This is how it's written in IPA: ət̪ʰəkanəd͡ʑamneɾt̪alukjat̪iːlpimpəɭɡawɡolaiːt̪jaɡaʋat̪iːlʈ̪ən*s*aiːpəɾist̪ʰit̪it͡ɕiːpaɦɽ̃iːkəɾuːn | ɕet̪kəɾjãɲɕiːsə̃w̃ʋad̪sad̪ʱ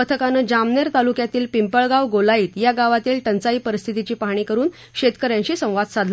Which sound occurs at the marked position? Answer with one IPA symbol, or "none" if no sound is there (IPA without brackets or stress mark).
t͡s